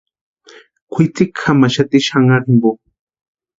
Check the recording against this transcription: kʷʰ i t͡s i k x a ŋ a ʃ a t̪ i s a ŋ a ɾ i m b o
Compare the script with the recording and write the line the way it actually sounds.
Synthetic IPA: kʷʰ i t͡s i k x a m a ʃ a t̪ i ʃ a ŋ a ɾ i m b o